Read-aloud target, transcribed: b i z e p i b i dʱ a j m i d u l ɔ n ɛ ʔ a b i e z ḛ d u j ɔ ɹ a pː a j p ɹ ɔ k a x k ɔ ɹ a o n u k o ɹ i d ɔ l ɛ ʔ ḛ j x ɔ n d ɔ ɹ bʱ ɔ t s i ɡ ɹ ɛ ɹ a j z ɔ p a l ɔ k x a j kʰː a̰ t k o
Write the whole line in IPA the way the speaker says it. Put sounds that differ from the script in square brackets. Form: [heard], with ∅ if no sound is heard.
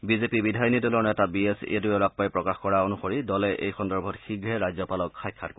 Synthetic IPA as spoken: b i z e p i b i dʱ a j [n] i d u l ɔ n ɛ [t] a b i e [s] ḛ d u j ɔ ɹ a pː a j p ɹ ɔ k a x k ɔ ɹ a o n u [x] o ɹ i d ɔ l ɛ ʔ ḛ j x ɔ n d ɔ ɹ bʱ ɔ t [x] i ɡ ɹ ɛ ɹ a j z ɔ p a l ɔ k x a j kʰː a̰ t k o